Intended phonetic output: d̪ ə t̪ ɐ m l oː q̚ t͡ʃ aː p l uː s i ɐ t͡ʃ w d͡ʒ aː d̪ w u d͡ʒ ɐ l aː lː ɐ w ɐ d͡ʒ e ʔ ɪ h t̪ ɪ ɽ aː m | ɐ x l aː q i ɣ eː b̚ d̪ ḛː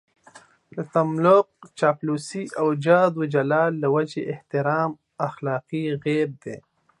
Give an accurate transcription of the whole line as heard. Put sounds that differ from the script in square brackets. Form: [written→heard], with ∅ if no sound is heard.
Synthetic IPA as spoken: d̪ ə t̪ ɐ m l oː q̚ t͡ʃ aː p l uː s i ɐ [t͡ʃ→∅] w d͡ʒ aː d̪ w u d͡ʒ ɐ l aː lː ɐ w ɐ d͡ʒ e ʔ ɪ h t̪ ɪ [ɽ→ɾ] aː m | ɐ x l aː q i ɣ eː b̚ d̪ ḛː

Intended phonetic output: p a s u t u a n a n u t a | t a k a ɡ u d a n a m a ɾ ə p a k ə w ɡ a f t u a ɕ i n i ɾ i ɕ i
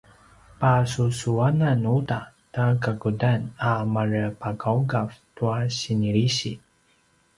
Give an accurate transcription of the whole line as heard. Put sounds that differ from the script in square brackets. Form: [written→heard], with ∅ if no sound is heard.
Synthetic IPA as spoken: p a s u [t→s] u a n a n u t a | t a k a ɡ u d a n a m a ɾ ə p a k [ə→a] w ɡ a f t u a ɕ i n i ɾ i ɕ i

